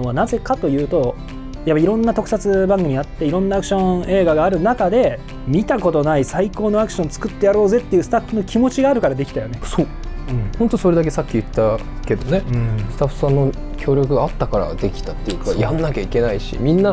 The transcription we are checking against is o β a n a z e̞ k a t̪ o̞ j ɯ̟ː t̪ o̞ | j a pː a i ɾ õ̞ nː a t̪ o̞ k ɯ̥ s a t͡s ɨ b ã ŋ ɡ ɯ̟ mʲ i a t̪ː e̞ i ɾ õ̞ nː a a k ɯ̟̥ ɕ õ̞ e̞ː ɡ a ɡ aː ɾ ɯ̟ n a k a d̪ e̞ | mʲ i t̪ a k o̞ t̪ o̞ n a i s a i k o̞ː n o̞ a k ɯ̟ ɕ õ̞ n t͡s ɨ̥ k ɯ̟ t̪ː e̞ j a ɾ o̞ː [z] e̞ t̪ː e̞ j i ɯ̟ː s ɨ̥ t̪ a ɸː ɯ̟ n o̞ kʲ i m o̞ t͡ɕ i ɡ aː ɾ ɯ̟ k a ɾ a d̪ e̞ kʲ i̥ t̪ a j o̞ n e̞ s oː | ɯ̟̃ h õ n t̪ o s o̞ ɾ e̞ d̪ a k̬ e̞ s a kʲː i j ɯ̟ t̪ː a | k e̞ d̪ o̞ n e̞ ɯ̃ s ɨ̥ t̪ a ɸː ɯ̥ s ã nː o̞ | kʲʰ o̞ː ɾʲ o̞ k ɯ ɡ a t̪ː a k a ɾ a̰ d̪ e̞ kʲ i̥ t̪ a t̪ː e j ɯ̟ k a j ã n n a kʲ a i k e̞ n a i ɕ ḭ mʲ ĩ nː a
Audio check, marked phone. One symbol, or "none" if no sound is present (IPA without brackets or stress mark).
z